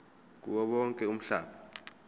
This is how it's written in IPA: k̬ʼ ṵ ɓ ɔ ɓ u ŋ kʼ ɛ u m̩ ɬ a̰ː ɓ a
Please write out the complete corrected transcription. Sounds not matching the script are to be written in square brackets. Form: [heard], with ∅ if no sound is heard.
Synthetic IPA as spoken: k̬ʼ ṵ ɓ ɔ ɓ [ɔ] ŋ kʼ ɛ u m̩ ɬ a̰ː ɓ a